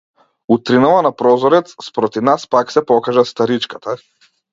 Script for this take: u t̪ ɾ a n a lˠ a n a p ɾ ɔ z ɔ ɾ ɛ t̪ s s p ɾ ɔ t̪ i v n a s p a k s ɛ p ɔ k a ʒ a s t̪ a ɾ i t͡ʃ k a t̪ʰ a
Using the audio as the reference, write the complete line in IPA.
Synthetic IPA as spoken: u t̪ ɾ i n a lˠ a n a p ɾ ɔ z ɔ ɾ ɛ t̪ s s p ɾ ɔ t̪ i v n a s p a k s ɛ p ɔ k a ʒ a s t̪ a ɾ i t͡ʃ k a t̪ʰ a

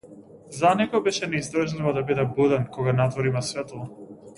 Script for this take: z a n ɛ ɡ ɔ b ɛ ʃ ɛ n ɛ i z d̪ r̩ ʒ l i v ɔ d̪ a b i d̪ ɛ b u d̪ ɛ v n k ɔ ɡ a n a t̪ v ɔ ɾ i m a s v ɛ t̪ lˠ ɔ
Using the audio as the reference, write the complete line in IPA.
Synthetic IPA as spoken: z a n ɛ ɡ ɔ b ɛ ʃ ɛ n ɛ i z d̪ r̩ ʒ l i v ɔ d̪ a b i d̪ ɛ b u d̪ ɛ n k ɔ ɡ a n a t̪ v ɔ ɾ i m a s v ɛ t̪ lˠ ɔ

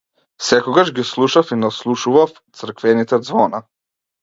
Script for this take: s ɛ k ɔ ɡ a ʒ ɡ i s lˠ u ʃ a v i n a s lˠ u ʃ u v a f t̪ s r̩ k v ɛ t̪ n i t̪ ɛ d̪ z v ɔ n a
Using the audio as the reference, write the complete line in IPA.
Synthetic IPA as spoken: s ɛ k ɔ ɡ a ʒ ɡ i s lˠ u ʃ a f i n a s lˠ u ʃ u v a f t̪ s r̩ k v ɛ n i t̪ ɛ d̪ z v ɔ n a

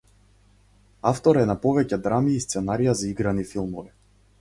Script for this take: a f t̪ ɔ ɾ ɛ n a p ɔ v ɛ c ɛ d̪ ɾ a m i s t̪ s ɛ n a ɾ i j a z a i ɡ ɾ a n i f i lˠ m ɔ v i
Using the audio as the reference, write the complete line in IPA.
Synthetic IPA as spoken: a f t̪ ɔ ɾ ɛ n a p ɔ v ɛ c ɛ d̪ ɾ a m iː s t̪ s ɛ n a ɾ i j a z a i ɡ ɾ a n i f i lˠ m ɔ v i

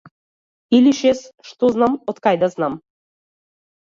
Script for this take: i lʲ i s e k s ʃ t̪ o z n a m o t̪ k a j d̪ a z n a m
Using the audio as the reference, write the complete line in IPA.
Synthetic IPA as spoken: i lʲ i ʃ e s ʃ t̪ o z n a m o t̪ k a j d̪ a z n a m

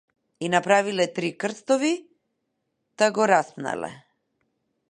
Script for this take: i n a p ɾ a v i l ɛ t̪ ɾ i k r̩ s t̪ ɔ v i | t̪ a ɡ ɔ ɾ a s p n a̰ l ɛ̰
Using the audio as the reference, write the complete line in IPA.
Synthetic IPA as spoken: i n a p ɾ a v i l ɛ t̪ ɾ i k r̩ s t̪ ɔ v i | t̪ a ɡ ɔ ɾ a s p n a̰ l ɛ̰

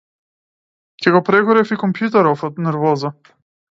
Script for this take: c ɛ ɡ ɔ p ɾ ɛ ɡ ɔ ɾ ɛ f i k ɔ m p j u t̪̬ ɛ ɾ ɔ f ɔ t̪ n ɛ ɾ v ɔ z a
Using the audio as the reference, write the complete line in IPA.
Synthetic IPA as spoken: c ɛ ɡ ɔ p ɾ ɛ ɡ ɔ ɾ ɛ f i k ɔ m p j u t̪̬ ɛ ɾ ɔ f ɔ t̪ n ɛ ɾ v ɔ z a

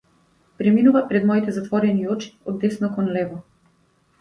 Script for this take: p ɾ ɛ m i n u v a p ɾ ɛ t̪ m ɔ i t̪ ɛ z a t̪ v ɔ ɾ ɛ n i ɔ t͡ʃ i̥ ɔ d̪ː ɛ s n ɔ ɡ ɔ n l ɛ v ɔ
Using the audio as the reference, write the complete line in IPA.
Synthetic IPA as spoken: p ɾ ɛ m i n u v a p ɾ ɛ d̪ m ɔ i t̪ ɛ z a t̪ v ɔ ɾ ɛ n i ɔ t͡ʃ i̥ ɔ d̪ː ɛ s n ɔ k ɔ n l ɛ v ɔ

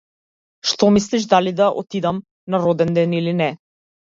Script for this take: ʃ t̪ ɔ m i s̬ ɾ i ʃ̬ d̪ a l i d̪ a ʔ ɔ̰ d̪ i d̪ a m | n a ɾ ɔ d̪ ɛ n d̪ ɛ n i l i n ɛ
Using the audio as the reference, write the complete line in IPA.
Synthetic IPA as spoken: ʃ t̪ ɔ m i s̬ l i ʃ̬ d̪ a l i d̪ a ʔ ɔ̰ t̪ i d̪ a m | n a ɾ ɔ d̪ ɛ n d̪ ɛ n i l i n ɛ

